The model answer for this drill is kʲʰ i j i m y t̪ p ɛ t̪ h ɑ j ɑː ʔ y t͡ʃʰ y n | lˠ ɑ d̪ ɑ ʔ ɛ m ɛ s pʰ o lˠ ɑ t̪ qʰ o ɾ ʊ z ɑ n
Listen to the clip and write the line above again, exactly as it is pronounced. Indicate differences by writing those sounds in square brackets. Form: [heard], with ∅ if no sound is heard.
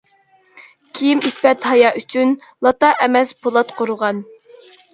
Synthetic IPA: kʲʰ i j i m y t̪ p ɛ t̪ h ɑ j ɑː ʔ y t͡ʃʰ y n | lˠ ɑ [t̪] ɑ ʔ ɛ m ɛ s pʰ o lˠ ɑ t̪ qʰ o ɾ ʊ [ʁ] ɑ n